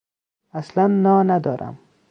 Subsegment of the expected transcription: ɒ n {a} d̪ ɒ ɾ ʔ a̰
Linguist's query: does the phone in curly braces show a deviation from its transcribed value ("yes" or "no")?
no